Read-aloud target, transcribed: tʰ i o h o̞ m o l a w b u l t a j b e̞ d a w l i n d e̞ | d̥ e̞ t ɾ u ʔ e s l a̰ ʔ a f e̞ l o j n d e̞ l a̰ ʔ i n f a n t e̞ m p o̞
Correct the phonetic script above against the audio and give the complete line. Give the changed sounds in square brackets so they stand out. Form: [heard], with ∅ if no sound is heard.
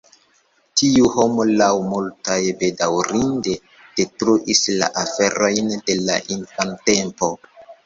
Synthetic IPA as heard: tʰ i [u] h o̞ m o l a w [m] u l t a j b e̞ d a w [ɾ] i n d e̞ | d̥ e̞ t ɾ u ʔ [i] s l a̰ ʔ a f e̞ [ɾ] o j n d e̞ l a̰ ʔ i n f a n t e̞ m p o̞